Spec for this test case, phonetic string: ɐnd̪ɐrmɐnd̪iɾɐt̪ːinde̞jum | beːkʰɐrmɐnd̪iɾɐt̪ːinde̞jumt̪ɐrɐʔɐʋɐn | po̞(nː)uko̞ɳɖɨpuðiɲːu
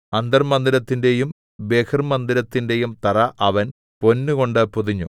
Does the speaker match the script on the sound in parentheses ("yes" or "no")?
yes